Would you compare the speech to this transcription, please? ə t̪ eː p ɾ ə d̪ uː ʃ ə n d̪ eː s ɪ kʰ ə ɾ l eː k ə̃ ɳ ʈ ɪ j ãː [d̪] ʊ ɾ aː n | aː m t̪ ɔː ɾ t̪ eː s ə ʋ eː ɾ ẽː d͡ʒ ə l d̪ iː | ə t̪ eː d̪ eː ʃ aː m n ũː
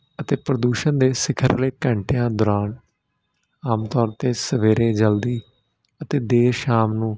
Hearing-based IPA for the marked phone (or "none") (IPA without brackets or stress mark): d̪